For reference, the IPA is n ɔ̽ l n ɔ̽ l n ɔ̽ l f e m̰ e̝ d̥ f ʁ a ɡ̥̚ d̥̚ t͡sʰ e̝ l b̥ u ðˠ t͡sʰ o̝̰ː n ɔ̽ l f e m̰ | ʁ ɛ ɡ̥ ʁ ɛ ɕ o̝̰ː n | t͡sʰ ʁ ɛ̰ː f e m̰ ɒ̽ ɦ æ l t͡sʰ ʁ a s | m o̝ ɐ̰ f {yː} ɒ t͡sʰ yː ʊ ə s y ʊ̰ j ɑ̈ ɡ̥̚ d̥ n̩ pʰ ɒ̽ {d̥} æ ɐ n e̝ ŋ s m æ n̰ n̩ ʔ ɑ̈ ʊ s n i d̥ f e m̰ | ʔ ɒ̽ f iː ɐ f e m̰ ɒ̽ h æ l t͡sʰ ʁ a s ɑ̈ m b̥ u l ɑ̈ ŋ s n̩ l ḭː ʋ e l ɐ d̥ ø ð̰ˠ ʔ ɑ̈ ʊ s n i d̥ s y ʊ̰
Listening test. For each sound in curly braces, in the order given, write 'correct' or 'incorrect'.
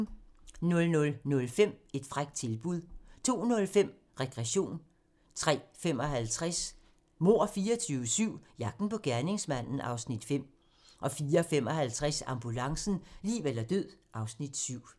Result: incorrect: iː, incorrect: ɡ̥

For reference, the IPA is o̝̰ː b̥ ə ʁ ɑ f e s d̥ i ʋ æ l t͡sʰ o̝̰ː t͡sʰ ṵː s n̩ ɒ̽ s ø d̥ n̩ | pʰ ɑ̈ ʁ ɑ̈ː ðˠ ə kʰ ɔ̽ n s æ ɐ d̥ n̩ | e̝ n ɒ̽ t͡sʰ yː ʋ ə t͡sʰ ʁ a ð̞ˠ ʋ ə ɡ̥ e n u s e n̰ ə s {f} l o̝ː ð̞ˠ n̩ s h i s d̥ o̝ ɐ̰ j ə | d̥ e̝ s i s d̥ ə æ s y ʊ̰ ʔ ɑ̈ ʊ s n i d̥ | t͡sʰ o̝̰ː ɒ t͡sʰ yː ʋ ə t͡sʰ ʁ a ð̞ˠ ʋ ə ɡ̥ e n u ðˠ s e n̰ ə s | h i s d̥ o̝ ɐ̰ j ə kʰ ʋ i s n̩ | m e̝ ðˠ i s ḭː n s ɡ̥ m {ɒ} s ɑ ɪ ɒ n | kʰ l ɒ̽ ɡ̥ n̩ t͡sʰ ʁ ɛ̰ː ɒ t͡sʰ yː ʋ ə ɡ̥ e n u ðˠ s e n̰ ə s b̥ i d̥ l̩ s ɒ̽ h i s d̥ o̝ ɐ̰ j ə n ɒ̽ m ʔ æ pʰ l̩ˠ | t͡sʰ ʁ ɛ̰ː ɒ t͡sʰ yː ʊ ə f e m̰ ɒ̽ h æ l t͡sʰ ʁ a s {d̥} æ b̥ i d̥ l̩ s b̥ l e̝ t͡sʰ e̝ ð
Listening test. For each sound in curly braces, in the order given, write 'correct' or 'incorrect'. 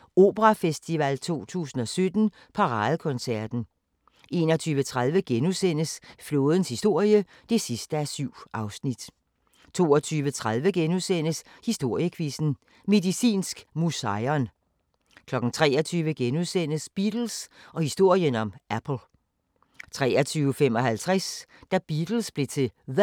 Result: correct, incorrect: u, correct

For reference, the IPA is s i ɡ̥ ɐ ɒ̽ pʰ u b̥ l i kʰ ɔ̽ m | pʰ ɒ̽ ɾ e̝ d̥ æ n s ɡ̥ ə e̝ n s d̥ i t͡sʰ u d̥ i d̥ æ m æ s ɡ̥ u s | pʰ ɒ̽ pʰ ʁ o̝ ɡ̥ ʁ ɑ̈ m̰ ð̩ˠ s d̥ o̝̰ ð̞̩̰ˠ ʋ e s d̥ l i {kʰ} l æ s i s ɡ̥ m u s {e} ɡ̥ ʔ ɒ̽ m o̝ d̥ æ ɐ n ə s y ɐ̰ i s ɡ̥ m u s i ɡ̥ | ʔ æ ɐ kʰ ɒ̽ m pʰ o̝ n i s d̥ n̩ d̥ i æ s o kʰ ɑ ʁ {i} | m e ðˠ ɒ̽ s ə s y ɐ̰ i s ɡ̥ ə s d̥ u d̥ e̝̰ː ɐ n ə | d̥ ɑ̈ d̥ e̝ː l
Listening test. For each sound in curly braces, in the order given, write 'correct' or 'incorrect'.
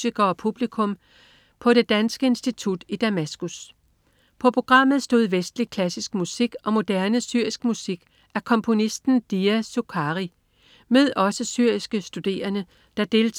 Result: correct, incorrect: i, correct

